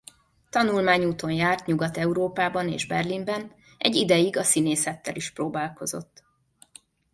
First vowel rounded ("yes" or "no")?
yes